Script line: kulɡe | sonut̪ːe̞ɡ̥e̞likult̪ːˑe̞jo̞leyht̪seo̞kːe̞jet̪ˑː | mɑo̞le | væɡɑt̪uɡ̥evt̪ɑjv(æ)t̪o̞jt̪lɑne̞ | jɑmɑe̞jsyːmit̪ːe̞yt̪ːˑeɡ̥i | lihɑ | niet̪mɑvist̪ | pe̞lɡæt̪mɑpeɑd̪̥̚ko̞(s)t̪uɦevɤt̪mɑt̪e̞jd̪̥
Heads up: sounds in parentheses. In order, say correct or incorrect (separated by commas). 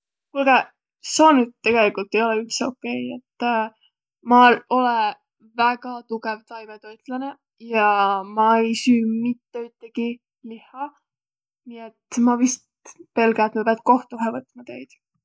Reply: incorrect, incorrect